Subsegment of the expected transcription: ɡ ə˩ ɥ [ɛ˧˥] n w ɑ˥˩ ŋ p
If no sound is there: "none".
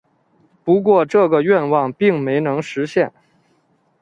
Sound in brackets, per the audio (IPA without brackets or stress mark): ɛ˥˧